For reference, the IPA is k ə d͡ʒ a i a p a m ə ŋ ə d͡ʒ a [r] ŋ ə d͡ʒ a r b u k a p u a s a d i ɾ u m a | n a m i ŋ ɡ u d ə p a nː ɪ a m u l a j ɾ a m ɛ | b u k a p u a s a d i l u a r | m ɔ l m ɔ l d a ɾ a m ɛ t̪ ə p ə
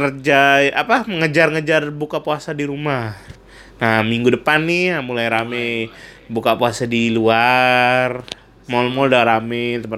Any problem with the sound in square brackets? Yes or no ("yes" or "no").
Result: no